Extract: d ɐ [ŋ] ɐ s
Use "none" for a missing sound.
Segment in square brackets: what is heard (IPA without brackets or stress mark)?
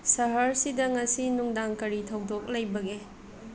ŋ